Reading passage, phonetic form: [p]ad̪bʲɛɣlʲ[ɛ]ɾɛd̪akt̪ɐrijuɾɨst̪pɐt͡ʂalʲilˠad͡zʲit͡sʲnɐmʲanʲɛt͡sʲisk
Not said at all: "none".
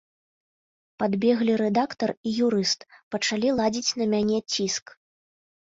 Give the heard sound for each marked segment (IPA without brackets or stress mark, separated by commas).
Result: p, i